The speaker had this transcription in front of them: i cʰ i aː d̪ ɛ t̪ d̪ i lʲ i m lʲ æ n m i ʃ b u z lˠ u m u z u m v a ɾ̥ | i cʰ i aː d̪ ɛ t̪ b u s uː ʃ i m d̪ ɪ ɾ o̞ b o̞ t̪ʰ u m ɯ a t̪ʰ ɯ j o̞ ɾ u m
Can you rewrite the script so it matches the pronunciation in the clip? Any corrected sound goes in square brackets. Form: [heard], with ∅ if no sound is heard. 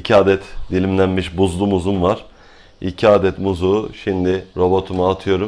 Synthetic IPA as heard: i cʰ i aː d̪ ɛ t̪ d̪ i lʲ i m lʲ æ n m i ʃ b u z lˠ u m u z u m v a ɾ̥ | i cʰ i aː d̪ ɛ t̪ [m] u [z] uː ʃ i m d̪ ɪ ɾ o̞ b o̞ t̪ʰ u m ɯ a t̪ʰ ɯ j o̞ ɾ u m